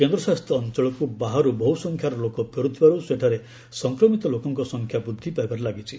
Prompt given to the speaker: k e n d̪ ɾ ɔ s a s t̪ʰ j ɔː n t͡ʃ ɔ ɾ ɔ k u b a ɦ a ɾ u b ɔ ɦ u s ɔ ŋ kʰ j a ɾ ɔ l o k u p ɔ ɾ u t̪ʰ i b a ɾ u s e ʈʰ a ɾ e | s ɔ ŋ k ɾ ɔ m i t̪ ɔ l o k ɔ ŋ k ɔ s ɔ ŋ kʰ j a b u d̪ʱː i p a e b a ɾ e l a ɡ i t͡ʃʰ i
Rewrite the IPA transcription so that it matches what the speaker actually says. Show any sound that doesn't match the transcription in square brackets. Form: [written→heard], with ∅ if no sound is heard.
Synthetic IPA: k e n d̪ ɾ ɔ s a s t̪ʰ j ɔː n t͡ʃ ɔ [ɾ→ɭ] ɔ k u b a ɦ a ɾ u b ɔ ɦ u s ɔ ŋ kʰ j a ɾ ɔ l o k [u→ɔ] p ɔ ɾ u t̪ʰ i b a ɾ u s e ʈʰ a ɾ e | s ɔ ŋ k ɾ ɔ m i t̪ ɔ l o k ɔ ŋ k ɔ s ɔ ŋ kʰ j a b u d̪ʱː i p a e b a ɾ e l a ɡ i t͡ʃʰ i

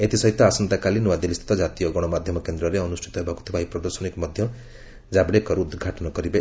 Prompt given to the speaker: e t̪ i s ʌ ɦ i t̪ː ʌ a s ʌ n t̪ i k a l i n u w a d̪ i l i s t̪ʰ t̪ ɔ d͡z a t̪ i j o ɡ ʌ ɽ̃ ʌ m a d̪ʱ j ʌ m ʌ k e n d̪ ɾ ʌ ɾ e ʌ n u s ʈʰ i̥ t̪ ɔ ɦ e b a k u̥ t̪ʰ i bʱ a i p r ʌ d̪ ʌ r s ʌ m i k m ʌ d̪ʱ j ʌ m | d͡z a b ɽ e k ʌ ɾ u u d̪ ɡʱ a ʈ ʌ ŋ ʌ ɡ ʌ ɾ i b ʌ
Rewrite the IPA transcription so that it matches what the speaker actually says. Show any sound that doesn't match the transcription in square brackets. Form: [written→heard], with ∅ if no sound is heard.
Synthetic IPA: e t̪ i s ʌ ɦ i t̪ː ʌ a s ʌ n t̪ [i→a] k a l i n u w a d̪ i l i s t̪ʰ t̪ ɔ d͡z a t̪ i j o ɡ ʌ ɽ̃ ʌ m a d̪ʱ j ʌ m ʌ k e n d̪ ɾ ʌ ɾ e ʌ n u s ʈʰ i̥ t̪ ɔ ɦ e b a k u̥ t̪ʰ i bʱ a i p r ʌ d̪ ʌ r s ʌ [m→n] i k m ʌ d̪ʱ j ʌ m | d͡z a b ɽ e k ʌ ɾ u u d̪ ɡʱ a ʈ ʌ [ŋ→n] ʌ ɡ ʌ ɾ i b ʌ

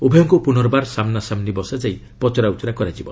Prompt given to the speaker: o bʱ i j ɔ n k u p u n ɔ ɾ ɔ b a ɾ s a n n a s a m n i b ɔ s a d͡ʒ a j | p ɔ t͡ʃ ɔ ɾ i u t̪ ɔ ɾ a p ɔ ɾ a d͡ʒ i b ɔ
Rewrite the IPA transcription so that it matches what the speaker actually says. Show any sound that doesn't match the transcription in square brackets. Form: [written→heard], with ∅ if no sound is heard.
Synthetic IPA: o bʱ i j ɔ [n→ŋ] k u p u n ɔ ɾ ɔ b a ɾ s a [n→m] n a s a m n i b ɔ s a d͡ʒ a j | p ɔ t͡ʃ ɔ ɾ [i→a] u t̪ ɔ ɾ a [p→k] ɔ ɾ a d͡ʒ i b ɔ

